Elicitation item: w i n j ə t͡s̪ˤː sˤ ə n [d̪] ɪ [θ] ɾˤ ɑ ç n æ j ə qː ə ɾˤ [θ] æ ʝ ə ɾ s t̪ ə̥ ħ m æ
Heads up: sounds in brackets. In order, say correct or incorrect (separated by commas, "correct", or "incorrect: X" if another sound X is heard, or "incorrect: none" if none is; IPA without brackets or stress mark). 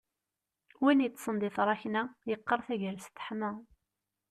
correct, correct, correct